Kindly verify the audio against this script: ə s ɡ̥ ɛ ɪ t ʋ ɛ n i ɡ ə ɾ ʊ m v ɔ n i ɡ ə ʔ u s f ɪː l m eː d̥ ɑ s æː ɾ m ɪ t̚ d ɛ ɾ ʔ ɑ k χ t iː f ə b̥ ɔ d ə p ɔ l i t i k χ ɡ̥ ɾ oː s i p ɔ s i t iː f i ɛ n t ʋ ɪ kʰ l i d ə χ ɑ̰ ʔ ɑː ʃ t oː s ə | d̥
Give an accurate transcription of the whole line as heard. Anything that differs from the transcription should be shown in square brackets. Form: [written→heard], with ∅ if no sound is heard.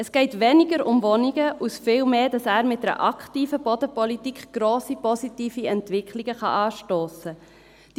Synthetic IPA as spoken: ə s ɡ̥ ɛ ɪ t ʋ ɛ n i ɡ ə ɾ ʊ m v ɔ n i ɡ ə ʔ u s f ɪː l m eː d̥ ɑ s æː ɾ m ɪ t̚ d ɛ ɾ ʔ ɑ k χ t iː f ə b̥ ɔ d ə p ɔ l i t i k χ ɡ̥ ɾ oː s i p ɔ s i t iː f i ɛ n t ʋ ɪ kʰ l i [d→ɡ] ə χ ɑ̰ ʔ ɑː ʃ t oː s ə | d̥